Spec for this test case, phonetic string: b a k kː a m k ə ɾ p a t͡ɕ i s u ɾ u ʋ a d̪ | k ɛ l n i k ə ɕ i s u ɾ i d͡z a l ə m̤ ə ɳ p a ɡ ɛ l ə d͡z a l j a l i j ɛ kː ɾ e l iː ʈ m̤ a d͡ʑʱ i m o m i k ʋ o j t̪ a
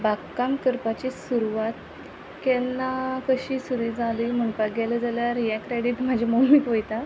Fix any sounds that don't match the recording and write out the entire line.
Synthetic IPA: b a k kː a m k ə ɾ p a t͡ɕ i s u ɾ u ʋ a t̪ | k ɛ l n a k ə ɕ i s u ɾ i d͡z a l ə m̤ ə ɳ p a ɡ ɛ l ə d͡z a l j a ɾ i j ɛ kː ɾ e ɽ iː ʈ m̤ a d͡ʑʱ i m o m i k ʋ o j t̪ a

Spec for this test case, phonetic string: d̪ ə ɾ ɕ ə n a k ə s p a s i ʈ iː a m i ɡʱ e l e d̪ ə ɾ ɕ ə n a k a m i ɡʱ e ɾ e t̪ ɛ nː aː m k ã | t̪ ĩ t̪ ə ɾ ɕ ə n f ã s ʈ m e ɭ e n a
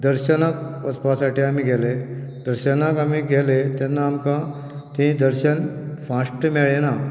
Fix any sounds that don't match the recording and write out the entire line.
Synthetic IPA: d̪ ə ɾ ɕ ə n a k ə s p a s a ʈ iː a m i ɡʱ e l e d̪ ə ɾ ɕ ə n a k a m i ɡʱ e l e t̪ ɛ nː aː m k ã | t̪ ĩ d̪ ə ɾ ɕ ə n f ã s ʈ m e ɭ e n a

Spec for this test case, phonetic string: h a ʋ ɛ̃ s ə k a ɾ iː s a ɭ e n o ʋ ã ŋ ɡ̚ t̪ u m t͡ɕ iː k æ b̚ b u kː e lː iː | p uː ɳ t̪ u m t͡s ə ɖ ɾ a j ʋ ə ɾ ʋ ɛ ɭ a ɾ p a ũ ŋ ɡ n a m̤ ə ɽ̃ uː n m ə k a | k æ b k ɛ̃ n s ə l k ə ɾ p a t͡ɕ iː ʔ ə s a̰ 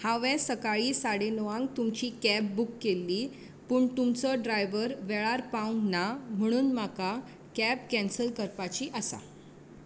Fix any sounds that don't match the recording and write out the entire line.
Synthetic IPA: h a ʋ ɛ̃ s ə k a ɭ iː s a ɽ e n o ʋ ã ŋ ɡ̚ t̪ u m t͡ɕ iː k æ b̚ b u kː e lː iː | p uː ɳ t̪ u m t͡s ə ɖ ɾ a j ʋ ə ɾ ʋ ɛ ɭ a ɾ p a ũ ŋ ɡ n a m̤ ə ɽ̃ uː n m a k a | k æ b k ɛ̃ n s ə l k ə ɾ p a t͡ɕ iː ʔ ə s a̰

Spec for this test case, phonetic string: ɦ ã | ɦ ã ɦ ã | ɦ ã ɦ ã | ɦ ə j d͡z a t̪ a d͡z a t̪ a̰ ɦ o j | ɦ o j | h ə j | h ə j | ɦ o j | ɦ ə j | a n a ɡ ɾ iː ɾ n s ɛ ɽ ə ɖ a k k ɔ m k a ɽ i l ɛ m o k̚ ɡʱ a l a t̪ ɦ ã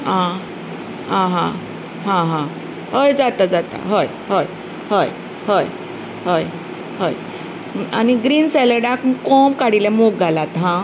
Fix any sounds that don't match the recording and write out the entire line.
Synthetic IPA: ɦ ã | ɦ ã ɦ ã | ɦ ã ɦ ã | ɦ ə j d͡z a t̪ a d͡z a t̪ a̰ ɦ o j | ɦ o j | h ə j | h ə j | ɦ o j | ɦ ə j | a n i ɡ ɾ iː n s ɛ l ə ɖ a k k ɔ m k a ɽ i l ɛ m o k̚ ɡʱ a l a t̪ ɦ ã

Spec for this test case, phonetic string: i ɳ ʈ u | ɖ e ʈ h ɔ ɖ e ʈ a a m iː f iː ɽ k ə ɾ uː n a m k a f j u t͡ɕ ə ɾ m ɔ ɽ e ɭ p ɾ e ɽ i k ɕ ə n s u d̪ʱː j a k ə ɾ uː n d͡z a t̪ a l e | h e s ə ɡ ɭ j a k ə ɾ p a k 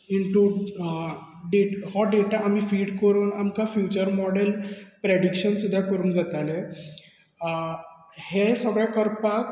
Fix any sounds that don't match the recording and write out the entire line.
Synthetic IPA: i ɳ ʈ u | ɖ e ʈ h ɔ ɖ e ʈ a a m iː f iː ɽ k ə ɾ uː n a m k a f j u t͡ɕ ə ɾ m ɔ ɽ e l p ɾ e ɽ i k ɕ ə n s u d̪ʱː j a k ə ɾ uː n d͡z a t̪ a l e | h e s ə ɡ ɭ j a k ə ɾ p a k

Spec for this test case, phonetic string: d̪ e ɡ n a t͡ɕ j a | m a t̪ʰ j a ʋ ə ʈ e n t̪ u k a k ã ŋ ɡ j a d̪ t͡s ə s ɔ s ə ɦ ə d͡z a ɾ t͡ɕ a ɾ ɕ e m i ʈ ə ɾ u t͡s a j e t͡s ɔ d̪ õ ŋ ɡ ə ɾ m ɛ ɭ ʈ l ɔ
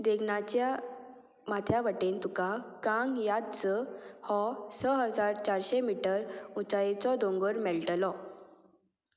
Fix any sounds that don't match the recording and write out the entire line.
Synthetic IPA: d̪ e ɡ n a t͡ɕ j a | m a t̪ʰ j a ʋ ə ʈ e n t̪ u k a k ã ŋ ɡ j a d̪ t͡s ə h ɔ s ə ɦ ə d͡z a ɾ t͡ɕ a ɾ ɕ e m i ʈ ə ɾ u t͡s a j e t͡s ɔ d̪ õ ŋ ɡ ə ɾ m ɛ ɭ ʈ l ɔ

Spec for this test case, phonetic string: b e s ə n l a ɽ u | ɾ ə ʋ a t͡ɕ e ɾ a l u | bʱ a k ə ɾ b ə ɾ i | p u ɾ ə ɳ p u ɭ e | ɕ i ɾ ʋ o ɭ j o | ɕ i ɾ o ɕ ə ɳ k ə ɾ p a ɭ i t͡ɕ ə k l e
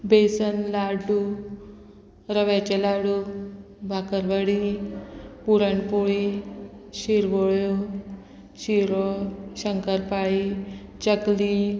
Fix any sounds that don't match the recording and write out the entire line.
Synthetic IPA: b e s ə n l a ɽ u | ɾ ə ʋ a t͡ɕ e l a ɽ u | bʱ a k ə ɾ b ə ɽ i | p u ɾ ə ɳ p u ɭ i | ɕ i ɾ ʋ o ɭ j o | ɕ i ɾ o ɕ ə ŋ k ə ɾ p a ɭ i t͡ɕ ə k l i

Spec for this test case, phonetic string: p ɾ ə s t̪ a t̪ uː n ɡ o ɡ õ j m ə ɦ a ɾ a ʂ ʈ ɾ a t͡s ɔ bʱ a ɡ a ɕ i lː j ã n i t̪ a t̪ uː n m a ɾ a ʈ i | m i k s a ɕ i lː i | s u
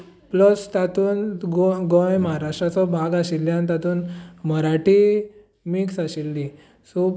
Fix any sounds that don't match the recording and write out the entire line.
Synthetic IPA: p l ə s t̪ a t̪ uː n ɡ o ɡ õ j m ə ɦ a ɾ a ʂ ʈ ɾ a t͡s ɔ bʱ a ɡ a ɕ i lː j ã n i t̪ a t̪ uː n m ə ɾ a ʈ i | m i k s a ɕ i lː i | s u

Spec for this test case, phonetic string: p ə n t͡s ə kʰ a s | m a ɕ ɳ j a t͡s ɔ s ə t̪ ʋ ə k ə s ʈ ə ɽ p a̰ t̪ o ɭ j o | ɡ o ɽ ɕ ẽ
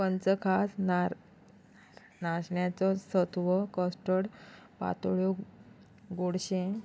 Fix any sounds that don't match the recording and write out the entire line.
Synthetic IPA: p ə n t͡s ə kʰ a s | n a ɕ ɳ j a t͡s ɔ s ə t̪ ʋ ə k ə s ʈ ə ɽ p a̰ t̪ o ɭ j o | ɡ o ɽ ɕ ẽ

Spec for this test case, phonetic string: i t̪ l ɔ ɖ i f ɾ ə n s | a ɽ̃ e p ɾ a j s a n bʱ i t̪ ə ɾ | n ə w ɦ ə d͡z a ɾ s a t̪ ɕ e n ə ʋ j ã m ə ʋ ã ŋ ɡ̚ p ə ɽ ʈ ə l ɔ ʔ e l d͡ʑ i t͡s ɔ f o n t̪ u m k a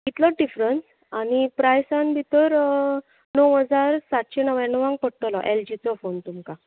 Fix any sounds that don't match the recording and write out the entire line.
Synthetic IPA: i t̪ l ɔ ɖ i f ɾ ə n s | a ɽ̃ i p ɾ a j s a n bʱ i t̪ ə ɾ | n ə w ɦ ə d͡z a ɾ s a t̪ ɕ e n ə ʋ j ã n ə ʋ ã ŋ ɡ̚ p ə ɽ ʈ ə l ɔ ʔ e l d͡ʑ i t͡s ɔ f o n t̪ u m k a

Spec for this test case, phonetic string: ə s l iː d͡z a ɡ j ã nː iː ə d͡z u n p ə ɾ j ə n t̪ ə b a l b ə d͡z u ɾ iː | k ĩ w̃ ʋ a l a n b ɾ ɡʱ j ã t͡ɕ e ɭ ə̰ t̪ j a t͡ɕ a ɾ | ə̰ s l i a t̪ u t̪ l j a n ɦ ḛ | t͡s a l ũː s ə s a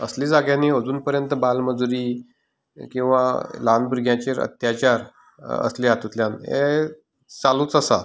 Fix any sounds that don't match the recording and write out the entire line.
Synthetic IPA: ə s l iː d͡z a ɡ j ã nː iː ə d͡z uː n p ə ɾ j ə n t̪ ə b a l m ə d͡z u ɾ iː | k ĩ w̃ ʋ a l a n b ɾ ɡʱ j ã t͡ɕ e ɾ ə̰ t̪ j a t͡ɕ a ɾ | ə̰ s l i a t̪ u t̪ l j a n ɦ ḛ | t͡s a l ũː t͡s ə s a

